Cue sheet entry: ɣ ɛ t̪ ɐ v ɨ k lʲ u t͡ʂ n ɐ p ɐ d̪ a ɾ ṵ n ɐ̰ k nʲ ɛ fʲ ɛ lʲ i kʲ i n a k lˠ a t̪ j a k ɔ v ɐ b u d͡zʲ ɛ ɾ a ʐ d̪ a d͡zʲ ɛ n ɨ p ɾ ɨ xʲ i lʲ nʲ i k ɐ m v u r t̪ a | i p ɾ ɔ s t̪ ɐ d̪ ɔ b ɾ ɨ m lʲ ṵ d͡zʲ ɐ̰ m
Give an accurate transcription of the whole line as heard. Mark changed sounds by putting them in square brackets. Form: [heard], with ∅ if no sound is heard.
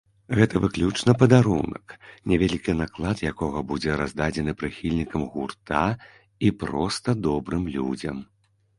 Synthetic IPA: ɣ ɛ t̪ ɐ v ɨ k lʲ u t͡ʂ n ɐ p ɐ d̪ a ɾ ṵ n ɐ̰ k nʲ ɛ [vʲ] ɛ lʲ i kʲ i n a k lˠ a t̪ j a k ɔ [ɣ] ɐ b u d͡zʲ ɛ ɾ a [z] d̪ a d͡zʲ ɛ n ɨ p ɾ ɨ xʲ i lʲ nʲ i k ɐ m [ɣ] u r t̪ a | i p ɾ ɔ s t̪ ɐ d̪ ɔ b ɾ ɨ m lʲ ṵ d͡zʲ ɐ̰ m